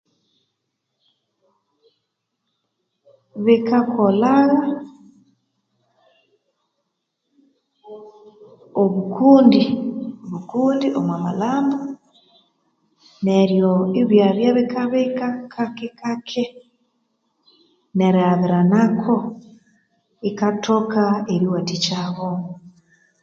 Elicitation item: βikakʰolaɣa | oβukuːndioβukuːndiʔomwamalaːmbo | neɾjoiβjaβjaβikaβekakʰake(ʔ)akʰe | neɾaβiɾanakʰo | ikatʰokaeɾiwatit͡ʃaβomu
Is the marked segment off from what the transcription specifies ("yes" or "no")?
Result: yes